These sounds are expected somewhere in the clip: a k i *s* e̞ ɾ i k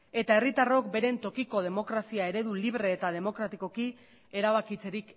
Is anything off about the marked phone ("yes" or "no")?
yes